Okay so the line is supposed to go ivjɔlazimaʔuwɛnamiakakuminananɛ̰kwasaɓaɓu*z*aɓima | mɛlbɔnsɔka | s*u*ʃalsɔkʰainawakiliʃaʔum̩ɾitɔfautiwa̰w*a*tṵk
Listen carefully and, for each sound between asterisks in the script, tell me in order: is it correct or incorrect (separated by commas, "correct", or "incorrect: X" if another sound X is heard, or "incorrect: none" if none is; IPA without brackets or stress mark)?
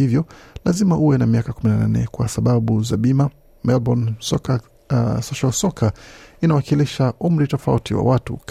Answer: correct, incorrect: ɔ, correct